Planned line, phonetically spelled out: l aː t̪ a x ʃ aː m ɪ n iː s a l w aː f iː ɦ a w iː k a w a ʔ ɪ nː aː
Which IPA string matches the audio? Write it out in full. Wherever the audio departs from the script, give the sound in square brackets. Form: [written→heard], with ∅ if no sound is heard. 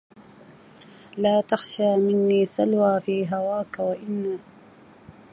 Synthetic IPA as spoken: l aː t̪ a x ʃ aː m ɪ [n→nː] iː s a l w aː f iː ɦ a w [iː→aː] k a w a ʔ ɪ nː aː